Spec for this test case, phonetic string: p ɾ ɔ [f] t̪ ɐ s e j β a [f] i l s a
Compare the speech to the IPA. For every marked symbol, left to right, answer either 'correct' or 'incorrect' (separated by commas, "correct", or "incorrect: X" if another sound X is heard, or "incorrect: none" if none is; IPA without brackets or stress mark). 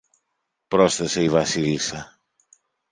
incorrect: s, incorrect: s